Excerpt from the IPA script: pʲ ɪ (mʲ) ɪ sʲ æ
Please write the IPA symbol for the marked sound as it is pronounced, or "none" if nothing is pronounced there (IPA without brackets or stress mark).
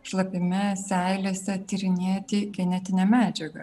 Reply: mʲ